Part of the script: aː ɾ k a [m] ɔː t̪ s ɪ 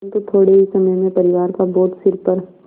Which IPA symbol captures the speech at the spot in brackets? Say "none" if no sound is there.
b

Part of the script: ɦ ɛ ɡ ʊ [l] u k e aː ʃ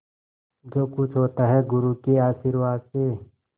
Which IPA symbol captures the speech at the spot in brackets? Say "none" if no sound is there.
ɾ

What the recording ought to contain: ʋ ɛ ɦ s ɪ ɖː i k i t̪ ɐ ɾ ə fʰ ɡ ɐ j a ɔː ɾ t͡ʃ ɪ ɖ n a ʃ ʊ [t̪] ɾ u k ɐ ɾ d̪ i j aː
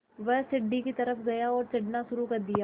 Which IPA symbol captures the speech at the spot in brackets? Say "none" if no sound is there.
none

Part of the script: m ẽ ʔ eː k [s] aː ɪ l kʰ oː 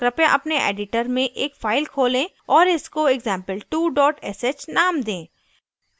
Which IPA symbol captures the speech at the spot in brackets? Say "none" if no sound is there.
f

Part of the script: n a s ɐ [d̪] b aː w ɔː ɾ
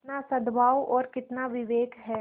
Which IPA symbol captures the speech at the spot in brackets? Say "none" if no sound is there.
d̪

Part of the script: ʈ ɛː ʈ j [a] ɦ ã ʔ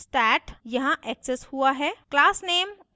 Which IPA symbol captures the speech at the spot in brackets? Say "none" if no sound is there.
ɐ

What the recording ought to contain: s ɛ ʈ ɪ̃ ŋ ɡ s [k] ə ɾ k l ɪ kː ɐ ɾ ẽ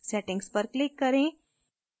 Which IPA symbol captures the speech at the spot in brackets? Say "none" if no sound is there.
p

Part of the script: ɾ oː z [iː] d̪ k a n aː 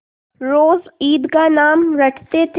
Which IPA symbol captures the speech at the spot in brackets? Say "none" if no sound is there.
iː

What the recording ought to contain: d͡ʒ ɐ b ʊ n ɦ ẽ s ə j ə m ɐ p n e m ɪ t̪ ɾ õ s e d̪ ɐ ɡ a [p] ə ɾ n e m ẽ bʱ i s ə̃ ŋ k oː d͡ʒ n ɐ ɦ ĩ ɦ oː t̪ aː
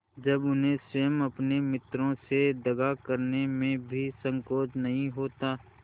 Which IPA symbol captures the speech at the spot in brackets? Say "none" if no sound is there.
k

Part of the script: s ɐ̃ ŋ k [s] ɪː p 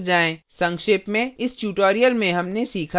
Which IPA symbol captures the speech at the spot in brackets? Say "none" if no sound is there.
ʃ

